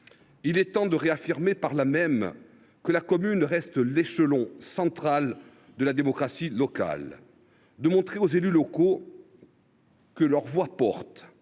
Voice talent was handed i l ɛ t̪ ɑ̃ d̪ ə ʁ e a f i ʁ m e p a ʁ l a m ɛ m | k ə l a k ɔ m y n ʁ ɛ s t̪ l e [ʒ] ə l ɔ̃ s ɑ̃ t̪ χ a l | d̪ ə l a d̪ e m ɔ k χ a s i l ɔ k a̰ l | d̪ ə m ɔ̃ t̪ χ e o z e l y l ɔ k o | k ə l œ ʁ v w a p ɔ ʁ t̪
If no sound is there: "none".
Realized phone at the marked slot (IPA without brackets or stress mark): ʃ